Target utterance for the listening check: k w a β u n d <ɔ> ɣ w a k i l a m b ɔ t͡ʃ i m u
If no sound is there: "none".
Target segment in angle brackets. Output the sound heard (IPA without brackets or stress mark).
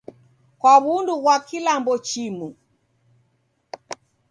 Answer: u